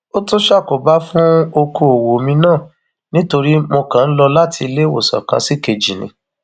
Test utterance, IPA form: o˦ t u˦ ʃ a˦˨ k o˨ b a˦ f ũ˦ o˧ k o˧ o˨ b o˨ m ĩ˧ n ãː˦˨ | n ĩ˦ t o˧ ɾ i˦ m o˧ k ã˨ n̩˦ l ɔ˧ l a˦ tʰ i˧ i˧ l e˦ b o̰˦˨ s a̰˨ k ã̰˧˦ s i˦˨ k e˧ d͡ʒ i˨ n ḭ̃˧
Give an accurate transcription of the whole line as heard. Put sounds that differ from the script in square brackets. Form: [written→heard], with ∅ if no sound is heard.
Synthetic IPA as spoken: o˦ t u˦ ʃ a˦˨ k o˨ b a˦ f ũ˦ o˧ k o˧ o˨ [b→w] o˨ m ĩ˧ n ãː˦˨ | n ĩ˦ t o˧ ɾ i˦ m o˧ k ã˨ n̩˦ l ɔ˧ l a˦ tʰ i˧ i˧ l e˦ [b→w] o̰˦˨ s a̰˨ k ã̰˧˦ s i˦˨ k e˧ d͡ʒ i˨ n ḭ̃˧

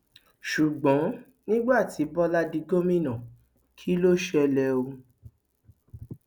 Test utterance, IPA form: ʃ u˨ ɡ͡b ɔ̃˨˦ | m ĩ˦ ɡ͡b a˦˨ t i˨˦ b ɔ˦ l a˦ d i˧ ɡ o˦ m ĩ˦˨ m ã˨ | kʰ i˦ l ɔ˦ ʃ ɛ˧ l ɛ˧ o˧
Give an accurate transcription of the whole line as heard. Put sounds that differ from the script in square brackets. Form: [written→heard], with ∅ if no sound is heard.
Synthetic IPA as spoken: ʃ u˨ ɡ͡b ɔ̃˨˦ | [m→n] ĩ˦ ɡ͡b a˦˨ t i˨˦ b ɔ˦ l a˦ d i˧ ɡ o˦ m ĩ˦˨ [m→n] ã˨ | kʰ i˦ l [ɔ˦→o˦] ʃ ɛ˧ l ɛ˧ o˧

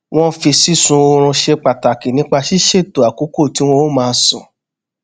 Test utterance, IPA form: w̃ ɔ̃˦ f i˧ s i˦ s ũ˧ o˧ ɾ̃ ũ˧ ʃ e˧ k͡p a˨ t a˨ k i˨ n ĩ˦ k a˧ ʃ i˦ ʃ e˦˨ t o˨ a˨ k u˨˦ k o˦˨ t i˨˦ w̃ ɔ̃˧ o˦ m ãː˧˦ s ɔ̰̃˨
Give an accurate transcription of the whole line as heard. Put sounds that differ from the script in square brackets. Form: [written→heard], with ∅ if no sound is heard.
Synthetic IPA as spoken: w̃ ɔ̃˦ f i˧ s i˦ s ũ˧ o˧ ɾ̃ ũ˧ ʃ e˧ k͡p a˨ t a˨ k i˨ n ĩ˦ [k→k͡p] a˧ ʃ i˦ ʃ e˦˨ t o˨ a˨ k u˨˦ k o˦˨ t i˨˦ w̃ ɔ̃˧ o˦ m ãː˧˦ s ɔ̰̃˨

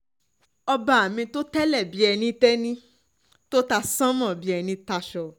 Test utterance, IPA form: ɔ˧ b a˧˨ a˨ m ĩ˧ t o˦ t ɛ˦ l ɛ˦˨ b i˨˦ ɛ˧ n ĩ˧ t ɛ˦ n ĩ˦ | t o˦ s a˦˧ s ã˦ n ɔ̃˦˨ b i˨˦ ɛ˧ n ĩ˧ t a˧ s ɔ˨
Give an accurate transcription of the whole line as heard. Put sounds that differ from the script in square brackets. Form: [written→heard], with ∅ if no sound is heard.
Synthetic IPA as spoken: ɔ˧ b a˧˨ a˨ m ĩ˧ t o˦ t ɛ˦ l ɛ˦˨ b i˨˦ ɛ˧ n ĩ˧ t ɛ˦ n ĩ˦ | t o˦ [s→t] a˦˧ s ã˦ [n→m] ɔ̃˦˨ b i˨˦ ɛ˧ n ĩ˧ t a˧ [s→ʃ] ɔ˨

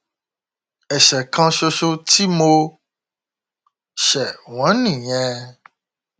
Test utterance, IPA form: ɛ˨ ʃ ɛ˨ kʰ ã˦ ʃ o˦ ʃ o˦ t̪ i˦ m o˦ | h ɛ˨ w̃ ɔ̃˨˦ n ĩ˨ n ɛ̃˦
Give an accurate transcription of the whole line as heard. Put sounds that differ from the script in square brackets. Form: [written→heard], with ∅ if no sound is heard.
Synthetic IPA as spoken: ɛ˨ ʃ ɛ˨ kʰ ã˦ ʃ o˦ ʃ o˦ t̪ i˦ m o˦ | [h→ʃ] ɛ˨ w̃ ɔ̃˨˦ n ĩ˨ [n→ɲ] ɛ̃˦

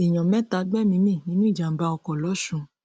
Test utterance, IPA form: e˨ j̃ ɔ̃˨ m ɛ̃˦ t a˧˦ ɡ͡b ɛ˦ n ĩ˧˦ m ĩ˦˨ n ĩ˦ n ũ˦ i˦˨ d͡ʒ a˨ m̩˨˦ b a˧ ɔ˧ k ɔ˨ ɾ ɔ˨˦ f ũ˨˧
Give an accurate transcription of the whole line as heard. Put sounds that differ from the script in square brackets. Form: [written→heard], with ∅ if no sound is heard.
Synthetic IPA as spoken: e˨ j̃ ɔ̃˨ m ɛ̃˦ t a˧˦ ɡ͡b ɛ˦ [n→m] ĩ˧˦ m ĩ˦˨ n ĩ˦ n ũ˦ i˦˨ d͡ʒ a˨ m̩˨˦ b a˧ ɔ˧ k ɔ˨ [ɾ→l] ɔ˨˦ [f→ʃ] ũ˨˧

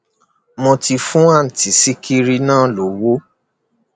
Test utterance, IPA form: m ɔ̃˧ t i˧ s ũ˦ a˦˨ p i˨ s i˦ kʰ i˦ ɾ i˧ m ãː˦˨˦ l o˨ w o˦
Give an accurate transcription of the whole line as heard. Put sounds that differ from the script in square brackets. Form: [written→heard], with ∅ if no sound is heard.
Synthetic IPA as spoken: m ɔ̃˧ t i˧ [s→f] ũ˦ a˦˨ [p→t] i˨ s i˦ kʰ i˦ ɾ i˧ [m→n] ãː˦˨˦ l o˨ w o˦

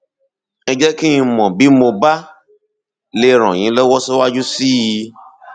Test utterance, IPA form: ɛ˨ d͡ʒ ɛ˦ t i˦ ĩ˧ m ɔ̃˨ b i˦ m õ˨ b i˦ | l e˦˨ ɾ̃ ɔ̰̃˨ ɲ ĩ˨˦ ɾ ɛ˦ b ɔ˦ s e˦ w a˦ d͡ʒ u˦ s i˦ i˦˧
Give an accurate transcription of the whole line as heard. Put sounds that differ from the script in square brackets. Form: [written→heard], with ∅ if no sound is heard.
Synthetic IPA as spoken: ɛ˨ d͡ʒ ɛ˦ [t→k] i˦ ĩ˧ m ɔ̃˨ b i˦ m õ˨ b [i˦→a˦] | l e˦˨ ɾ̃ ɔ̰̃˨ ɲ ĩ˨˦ [ɾ→l] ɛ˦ [b→w] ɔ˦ s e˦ w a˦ d͡ʒ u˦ s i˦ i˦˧

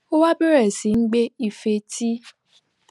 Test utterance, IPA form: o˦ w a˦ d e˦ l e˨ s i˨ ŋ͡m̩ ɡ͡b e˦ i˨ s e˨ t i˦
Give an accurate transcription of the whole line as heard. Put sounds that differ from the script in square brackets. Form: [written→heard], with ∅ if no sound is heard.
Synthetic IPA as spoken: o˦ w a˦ [d→b] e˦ [l→ɾ] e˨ s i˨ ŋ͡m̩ ɡ͡b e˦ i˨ [s→f] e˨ t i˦

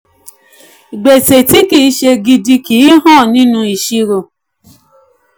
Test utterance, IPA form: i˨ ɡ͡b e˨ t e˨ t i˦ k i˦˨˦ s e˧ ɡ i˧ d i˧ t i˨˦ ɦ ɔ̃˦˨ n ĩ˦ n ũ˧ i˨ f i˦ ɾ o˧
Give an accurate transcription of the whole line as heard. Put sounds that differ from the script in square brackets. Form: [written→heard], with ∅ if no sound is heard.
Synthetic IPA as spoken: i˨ ɡ͡b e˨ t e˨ t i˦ k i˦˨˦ [s→ʃ] e˧ ɡ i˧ d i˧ [t→k] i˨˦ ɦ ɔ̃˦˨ n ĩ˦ n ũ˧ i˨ [f→ʃ] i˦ ɾ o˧

